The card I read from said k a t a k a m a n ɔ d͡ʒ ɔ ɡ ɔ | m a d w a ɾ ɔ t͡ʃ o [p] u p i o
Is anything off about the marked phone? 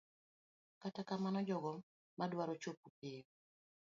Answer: no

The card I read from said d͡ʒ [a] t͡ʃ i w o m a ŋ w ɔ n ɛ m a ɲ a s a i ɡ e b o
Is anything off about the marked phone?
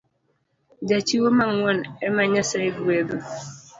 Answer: no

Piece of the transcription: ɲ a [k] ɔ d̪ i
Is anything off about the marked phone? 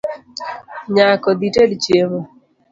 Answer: no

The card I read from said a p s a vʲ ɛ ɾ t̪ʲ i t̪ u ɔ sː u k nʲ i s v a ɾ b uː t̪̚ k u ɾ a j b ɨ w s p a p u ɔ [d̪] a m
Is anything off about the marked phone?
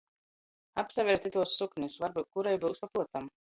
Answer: yes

